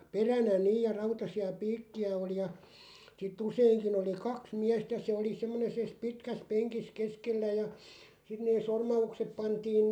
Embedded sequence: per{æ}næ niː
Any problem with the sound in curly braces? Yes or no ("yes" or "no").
no